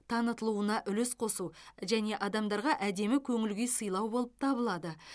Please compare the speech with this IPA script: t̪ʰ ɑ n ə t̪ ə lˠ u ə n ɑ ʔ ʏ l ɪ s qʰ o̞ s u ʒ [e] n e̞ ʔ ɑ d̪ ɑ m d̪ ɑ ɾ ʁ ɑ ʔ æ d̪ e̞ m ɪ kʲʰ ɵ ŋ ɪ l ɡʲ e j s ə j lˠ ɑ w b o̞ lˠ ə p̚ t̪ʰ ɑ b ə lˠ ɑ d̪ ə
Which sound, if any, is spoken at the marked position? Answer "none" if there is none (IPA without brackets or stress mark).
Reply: æ